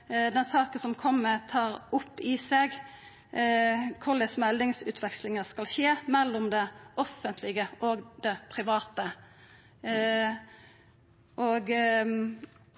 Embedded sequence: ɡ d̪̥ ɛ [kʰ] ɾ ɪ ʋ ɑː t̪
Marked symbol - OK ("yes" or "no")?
no